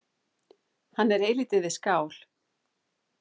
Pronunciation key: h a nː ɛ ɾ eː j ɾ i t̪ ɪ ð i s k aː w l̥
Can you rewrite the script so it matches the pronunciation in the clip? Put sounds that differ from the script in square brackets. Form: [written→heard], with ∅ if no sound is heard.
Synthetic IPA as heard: h a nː ɛ ɾ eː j [ɾ→l] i t̪ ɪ ð [i→ɪ] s k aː w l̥